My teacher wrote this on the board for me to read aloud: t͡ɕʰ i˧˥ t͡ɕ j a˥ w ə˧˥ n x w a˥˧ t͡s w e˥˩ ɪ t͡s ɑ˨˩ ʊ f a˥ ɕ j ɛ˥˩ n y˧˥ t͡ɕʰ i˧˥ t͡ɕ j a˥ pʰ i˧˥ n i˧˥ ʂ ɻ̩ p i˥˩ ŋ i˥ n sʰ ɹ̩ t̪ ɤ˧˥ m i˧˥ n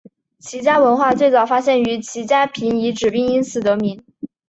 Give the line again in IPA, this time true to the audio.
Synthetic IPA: t͡ɕʰ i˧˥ t͡ɕ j a˥ w ə˧˥ n x w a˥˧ t͡s w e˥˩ ɪ t͡s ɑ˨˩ ʊ f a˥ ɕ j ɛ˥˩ n y˧˥ t͡ɕʰ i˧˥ t͡ɕ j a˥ pʰ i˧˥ n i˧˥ ʈ͡ʂ ɻ̩ p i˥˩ ŋ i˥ n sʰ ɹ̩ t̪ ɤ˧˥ m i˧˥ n